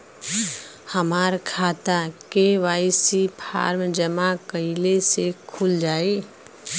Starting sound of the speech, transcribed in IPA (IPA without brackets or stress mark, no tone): h